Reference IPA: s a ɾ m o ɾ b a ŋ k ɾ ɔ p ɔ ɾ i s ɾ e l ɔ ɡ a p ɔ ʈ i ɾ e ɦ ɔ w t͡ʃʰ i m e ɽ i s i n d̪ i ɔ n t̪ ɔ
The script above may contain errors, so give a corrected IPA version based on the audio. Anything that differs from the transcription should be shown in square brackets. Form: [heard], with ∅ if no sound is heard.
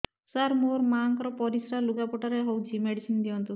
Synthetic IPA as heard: s a ɾ m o ɾ [m] a ŋ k ɾ ɔ p ɔ ɾ i s ɾ [a] l [u] ɡ a p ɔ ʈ [a] ɾ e ɦ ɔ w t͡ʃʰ i m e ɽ i s i n d̪ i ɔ n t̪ [u]